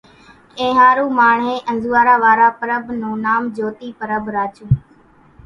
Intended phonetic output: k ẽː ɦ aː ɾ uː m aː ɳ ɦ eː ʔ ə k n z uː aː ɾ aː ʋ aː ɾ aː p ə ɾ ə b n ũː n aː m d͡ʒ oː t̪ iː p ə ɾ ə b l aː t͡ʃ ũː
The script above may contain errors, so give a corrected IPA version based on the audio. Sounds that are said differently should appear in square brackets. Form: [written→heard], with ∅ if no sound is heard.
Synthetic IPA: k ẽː ɦ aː ɾ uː m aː ɳ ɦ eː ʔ ə [k→∅] n z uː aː ɾ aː ʋ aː ɾ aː p ə ɾ ə b n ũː n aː m d͡ʒ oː t̪ iː p ə ɾ ə b [l→ɾ] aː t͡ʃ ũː